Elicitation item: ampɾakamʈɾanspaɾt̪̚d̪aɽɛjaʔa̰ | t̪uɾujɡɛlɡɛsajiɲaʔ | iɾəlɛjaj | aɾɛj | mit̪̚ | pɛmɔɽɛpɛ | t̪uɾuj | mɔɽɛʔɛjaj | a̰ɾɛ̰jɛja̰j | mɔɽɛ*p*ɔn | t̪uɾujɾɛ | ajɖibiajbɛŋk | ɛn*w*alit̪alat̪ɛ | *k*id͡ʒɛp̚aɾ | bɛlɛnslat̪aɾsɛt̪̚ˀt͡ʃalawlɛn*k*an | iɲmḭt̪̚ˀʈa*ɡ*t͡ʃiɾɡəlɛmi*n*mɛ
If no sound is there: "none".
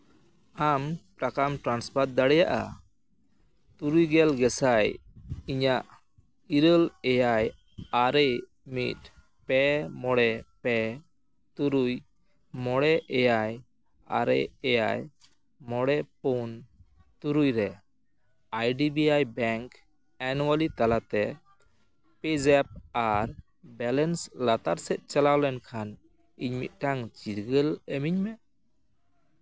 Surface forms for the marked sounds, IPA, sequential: p, w, p, kʰ, ŋ, ɲ

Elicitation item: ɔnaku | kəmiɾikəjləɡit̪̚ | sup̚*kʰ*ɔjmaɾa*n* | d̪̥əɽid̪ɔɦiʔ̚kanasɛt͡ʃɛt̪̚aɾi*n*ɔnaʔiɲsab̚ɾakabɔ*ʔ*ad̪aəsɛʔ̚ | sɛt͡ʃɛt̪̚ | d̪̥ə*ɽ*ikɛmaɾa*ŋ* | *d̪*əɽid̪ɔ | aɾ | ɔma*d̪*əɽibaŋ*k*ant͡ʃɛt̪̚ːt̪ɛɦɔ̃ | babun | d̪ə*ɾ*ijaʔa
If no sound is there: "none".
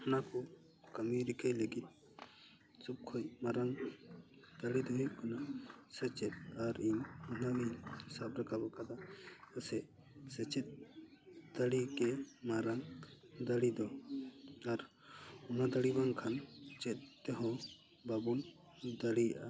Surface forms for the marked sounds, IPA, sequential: kʰ, ŋ, ɲ, k, ɽ, ŋ, d̪, d̪, kʰ, ɽ

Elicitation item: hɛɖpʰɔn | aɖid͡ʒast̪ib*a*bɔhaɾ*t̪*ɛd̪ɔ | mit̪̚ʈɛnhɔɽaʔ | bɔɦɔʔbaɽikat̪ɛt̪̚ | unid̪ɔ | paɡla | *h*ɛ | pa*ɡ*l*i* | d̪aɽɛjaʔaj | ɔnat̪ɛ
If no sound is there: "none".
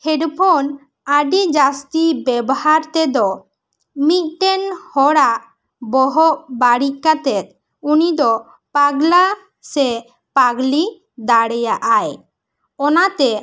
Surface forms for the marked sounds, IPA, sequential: ɛ, t̪, s, ɡ, i

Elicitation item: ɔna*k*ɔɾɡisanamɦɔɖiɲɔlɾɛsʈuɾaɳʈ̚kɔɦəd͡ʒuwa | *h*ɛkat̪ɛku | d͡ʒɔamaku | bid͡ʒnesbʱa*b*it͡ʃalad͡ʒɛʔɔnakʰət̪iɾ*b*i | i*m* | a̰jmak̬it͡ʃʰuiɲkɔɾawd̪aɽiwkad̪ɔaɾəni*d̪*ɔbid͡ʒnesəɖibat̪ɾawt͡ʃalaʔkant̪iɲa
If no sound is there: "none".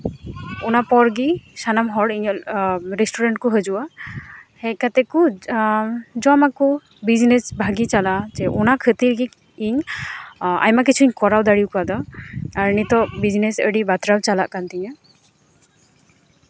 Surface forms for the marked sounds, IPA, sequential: p, h, ɡ, ɡ, ɲ, t̪

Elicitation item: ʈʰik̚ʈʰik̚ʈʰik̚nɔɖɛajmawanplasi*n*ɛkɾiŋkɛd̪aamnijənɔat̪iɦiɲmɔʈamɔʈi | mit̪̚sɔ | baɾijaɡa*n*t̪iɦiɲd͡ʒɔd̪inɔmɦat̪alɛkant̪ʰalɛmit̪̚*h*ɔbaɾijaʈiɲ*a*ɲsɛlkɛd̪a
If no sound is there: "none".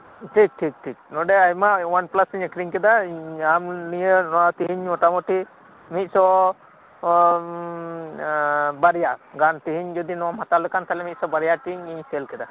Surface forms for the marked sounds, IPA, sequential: ɲ, n, s, i

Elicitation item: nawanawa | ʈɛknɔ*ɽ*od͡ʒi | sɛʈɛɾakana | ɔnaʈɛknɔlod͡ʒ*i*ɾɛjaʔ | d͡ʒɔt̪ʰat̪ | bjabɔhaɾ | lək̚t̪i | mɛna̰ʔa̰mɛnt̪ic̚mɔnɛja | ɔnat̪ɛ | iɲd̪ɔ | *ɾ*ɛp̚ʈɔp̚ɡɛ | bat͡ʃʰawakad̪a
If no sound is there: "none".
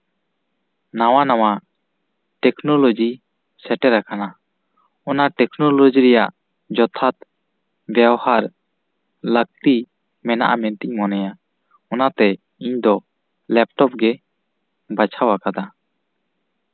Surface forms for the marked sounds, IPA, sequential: l, i, l

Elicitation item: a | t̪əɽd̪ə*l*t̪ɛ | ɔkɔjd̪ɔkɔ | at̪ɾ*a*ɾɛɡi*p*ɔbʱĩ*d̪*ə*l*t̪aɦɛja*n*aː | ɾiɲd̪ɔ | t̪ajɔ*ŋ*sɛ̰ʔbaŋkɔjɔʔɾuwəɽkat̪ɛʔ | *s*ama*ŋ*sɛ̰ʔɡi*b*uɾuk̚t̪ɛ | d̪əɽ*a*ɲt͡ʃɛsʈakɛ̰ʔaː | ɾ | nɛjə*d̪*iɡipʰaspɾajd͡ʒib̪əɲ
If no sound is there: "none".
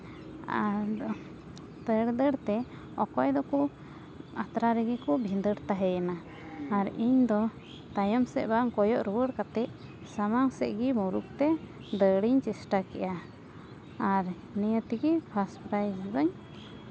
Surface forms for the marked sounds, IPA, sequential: ɽ, a, k, d̪, ɽ, n, m, s, ŋ, m, i, t̪

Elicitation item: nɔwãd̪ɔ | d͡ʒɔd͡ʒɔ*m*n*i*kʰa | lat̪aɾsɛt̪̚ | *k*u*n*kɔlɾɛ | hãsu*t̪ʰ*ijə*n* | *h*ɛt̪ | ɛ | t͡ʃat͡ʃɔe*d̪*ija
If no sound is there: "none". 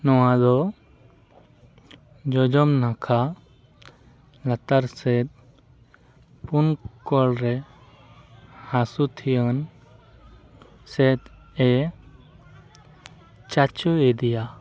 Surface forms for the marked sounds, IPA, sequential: m, a, p, n, t̪ʰ, n, s, d̪

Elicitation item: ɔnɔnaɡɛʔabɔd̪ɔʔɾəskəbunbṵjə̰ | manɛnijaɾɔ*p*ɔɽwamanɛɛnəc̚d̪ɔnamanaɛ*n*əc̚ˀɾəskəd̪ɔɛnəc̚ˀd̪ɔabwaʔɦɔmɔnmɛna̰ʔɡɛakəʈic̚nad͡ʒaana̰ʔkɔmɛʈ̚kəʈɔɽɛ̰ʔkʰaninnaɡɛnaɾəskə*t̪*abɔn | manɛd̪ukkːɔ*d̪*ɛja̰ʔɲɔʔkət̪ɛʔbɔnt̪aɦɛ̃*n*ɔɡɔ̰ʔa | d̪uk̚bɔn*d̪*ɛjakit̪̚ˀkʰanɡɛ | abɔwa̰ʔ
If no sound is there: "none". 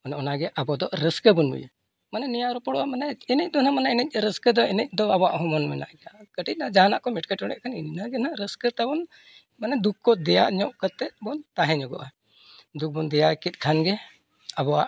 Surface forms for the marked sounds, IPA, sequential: p, n, t̪, d̪, ɲ, d̪

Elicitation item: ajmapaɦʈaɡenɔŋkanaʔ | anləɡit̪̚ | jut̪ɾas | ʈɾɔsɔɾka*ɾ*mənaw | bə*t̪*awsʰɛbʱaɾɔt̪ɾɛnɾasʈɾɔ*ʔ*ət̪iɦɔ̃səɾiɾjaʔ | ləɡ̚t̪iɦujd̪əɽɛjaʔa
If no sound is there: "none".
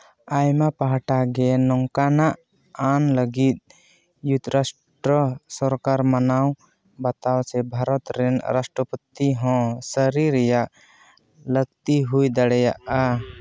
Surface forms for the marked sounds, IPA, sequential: ɾ, t̪, p

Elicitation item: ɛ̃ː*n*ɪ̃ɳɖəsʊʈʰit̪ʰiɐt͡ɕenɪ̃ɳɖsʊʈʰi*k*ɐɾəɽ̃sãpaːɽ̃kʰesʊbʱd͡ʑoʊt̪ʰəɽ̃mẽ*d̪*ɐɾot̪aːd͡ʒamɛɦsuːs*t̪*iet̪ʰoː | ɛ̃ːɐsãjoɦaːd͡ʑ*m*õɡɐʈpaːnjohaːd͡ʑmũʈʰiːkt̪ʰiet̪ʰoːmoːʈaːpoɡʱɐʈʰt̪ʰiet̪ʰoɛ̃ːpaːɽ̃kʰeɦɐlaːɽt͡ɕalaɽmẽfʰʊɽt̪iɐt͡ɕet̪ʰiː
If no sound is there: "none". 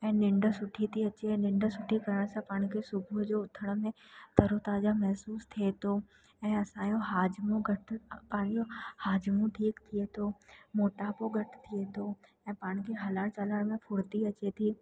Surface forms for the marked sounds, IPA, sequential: n, k, t̪, t̪ʰ, m

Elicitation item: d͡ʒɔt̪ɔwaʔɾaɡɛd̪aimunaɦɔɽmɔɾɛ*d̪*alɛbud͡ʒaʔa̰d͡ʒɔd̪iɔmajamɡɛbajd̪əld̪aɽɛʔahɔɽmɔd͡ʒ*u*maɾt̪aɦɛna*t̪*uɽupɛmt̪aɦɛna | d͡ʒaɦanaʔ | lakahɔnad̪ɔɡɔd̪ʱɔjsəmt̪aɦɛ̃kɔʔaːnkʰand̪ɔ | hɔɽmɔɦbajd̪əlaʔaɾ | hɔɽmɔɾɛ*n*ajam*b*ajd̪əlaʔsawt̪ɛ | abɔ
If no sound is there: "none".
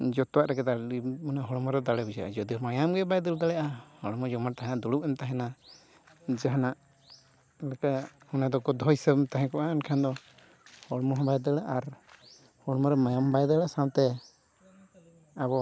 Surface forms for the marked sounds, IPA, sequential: d̪, ɔ, d̪, m, b

